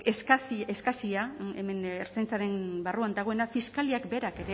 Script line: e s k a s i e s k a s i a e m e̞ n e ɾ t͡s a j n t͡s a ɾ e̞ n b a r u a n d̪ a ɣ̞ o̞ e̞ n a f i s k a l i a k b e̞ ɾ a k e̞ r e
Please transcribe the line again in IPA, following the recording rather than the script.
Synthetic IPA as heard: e s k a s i e s k a s i a e m e̞ n e ɾ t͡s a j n t͡s a ɾ e̞ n b a r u a n d̪ a ɣ̞ o̞ e̞ n a f i s k a l i a k b e̞ ɾ a k e̞ ɾ e